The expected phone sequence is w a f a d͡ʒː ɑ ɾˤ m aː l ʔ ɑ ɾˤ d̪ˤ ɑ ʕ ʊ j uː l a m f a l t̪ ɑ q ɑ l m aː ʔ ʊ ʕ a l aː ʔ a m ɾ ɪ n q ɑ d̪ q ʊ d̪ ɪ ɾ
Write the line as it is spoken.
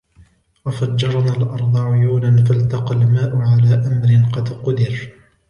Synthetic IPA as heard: w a f a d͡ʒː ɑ ɾˤ n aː l ʔ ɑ ɾˤ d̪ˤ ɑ ʕ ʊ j uː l a n f a l t̪ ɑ q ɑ l m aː ʔ ʊ ʕ a l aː ʔ a m ɾ ɪ n q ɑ d̪ q ʊ d̪ ɪ ɾ